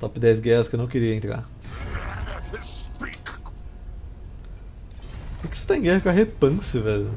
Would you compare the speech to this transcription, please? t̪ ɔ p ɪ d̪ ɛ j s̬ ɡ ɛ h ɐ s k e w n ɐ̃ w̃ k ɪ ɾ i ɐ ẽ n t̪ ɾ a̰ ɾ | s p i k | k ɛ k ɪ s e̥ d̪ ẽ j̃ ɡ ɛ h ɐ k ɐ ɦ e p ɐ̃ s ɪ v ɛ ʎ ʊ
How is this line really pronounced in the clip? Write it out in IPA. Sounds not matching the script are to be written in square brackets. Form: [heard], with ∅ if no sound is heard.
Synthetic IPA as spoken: t̪ ɔ p ɪ d̪ ɛ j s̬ ɡ ɛ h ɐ s k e w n ɐ̃ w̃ k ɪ ɾ i ɐ ẽ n t̪ ɾ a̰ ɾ | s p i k | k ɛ k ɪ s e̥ [t̪] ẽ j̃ ɡ ɛ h ɐ k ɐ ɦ e p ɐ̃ s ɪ v ɛ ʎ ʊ

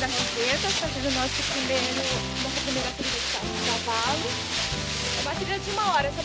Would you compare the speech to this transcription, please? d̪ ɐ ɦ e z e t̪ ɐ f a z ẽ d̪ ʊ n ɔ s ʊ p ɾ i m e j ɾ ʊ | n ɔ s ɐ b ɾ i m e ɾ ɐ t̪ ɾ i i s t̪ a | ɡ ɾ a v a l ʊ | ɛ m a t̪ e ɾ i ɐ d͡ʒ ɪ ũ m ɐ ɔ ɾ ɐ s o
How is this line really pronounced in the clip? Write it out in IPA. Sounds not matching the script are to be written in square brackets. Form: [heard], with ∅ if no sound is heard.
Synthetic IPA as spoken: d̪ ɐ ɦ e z e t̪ ɐ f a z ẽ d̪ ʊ n ɔ s ʊ p ɾ i m e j ɾ ʊ | n ɔ s ɐ [p] ɾ i m e ɾ ɐ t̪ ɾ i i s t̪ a | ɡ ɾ a v a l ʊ | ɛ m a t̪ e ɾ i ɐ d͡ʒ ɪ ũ m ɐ ɔ ɾ ɐ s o

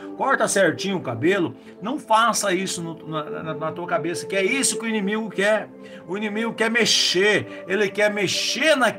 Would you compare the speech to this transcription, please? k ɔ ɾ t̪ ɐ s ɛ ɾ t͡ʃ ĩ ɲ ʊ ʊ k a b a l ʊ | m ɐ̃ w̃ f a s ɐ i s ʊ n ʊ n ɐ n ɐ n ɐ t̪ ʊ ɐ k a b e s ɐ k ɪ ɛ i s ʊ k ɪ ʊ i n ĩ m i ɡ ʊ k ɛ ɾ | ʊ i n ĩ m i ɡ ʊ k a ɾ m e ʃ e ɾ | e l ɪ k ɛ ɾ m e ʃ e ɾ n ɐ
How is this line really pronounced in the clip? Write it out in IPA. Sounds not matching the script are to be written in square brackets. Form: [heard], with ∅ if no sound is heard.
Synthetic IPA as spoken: k ɔ ɾ t̪ ɐ s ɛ ɾ t͡ʃ ĩ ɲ ʊ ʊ k a b [e] l ʊ | [n] ɐ̃ w̃ f a s ɐ i s ʊ n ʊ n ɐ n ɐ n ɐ t̪ [u] ɐ k a b e s ɐ k ɪ ɛ i s ʊ k ɪ ʊ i n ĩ m i ɡ ʊ k ɛ ɾ | ʊ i n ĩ m i ɡ ʊ k [ɛ] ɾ m e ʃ e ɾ | e l ɪ k ɛ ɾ m e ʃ e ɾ n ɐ

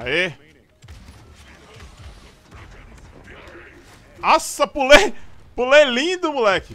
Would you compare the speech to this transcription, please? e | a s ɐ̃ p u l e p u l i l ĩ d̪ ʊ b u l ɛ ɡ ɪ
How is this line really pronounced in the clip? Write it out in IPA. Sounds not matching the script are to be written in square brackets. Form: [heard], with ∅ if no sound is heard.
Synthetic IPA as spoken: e | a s [ɐ] p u l e p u l [e] l ĩ d̪ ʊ [m] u l ɛ [k] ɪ

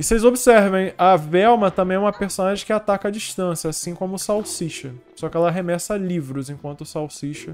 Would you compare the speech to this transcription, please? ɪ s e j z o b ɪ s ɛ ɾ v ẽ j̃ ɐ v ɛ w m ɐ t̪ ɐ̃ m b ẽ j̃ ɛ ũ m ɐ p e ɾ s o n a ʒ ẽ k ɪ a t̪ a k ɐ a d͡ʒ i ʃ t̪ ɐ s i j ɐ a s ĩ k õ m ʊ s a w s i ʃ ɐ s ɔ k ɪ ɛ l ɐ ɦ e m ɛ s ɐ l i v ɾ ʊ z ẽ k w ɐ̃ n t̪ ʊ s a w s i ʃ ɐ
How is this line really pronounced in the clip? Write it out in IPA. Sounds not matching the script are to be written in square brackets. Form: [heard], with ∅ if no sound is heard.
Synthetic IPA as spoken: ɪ s e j z o b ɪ s ɛ ɾ v ẽ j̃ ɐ v ɛ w m ɐ t̪ ɐ̃ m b ẽ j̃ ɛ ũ m ɐ p e ɾ s o n a ʒ ẽ k ɪ a t̪ a k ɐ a d͡ʒ i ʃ t̪ [ɐ̃] s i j ɐ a s ĩ k õ m ʊ s a w s i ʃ ɐ s ɔ k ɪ ɛ l ɐ ɦ e m ɛ s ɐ l i v ɾ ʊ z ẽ k w ɐ̃ n t̪ ʊ s a w s i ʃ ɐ

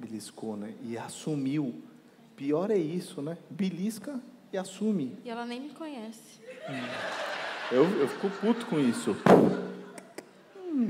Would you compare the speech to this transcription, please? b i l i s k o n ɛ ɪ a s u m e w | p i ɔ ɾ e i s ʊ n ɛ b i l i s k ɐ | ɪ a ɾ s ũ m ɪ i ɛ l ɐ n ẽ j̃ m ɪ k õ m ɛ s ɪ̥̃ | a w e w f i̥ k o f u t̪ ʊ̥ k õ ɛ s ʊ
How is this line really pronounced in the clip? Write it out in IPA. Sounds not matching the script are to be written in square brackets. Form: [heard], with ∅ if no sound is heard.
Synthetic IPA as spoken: b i l i s k o n ɛ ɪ a s u m [i] w | p i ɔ ɾ [ɛ] i s ʊ n ɛ b i l i s k ɐ | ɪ a [∅] s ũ m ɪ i ɛ l ɐ n ẽ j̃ m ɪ k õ [ɲ] ɛ s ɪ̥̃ | [e] w e w f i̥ k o f u t̪ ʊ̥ k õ [i] s ʊ

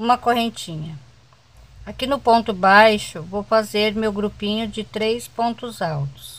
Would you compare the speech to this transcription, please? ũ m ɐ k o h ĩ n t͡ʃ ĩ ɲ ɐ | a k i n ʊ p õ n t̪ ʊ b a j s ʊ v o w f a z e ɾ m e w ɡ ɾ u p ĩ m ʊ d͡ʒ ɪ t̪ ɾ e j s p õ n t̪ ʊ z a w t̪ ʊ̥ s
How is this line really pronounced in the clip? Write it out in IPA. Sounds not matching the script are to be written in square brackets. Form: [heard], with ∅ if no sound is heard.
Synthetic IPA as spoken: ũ m ɐ k o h [ẽ] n t͡ʃ ĩ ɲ ɐ | a k i n ʊ p õ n t̪ ʊ b a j [ʃ] ʊ v o w f a z e ɾ m e w ɡ ɾ u p ĩ [ɲ] ʊ d͡ʒ ɪ t̪ ɾ e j s p õ n t̪ ʊ z a w t̪ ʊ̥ s

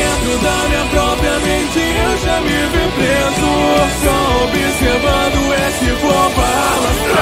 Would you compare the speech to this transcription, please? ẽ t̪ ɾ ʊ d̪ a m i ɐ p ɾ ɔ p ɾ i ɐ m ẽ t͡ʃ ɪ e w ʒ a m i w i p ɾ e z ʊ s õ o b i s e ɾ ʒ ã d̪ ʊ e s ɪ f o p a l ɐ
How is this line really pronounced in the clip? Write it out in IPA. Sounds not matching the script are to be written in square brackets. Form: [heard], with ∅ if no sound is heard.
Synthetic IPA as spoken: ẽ t̪ ɾ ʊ d̪ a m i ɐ p ɾ ɔ p ɾ i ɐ m ẽ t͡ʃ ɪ e w ʒ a m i [v] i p ɾ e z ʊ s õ o b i s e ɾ [v] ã d̪ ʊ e s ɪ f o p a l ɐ

